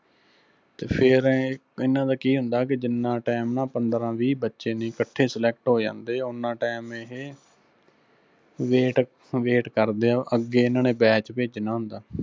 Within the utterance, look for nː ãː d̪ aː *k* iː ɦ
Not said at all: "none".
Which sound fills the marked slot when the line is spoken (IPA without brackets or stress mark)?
k